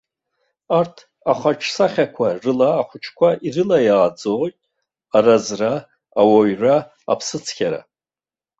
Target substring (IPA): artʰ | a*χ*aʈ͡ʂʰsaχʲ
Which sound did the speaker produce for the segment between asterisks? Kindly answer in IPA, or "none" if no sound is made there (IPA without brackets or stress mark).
χ